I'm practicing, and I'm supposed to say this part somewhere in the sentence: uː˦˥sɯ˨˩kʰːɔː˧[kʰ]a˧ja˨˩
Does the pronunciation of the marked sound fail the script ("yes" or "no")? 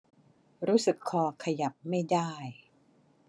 no